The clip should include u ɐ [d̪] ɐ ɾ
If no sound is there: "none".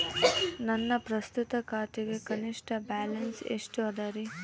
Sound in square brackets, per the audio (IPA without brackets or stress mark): d̪